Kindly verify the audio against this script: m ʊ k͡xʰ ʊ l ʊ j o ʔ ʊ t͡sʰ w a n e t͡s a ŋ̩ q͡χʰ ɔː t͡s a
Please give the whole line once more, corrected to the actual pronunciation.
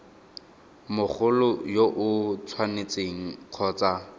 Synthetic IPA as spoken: m ʊ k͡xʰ ʊ l ʊ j o ʔ ʊ t͡sʰ w a n e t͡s e ŋ̩ q͡χʰ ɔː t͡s a